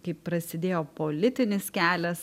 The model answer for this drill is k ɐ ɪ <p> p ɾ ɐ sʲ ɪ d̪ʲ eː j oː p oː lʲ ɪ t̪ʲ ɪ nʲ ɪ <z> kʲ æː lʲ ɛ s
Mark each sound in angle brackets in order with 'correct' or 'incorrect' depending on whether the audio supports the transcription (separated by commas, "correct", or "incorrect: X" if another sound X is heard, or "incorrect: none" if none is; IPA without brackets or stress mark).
correct, incorrect: s